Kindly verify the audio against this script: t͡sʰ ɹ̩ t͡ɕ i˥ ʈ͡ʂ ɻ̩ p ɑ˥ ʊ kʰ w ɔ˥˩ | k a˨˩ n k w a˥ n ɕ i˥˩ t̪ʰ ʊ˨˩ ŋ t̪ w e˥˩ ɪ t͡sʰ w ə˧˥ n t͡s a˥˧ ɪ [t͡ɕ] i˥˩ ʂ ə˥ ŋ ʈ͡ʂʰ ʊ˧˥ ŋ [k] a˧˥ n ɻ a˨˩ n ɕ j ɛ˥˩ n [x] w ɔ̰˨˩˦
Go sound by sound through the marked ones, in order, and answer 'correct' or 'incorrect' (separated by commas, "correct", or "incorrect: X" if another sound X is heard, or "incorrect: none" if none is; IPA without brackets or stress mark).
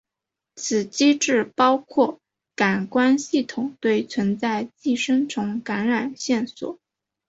correct, correct, incorrect: s